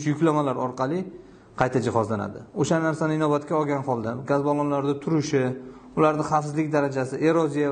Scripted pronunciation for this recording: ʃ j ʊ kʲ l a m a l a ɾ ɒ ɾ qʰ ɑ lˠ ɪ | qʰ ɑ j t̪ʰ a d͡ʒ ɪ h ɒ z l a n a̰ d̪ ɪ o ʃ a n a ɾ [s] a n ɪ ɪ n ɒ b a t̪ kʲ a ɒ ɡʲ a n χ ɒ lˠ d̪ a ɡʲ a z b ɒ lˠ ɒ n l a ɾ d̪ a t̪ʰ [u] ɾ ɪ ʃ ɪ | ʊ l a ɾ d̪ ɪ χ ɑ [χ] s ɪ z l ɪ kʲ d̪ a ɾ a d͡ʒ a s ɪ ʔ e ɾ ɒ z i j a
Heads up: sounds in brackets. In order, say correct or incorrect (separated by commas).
correct, incorrect, incorrect